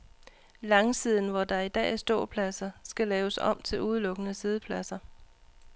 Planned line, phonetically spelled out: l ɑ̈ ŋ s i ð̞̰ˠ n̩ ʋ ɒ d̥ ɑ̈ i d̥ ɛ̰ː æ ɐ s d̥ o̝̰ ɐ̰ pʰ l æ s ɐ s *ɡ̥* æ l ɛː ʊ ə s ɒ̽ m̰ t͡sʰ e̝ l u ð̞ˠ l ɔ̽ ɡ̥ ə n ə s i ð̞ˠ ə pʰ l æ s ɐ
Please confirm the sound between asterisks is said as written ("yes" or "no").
yes